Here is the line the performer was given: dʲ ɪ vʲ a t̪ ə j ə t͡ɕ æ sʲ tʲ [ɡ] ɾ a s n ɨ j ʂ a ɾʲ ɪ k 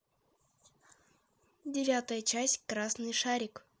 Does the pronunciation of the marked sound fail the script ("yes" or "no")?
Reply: yes